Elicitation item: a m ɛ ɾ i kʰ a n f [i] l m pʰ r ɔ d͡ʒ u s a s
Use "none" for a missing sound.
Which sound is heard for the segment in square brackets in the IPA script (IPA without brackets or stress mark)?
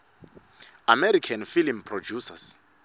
i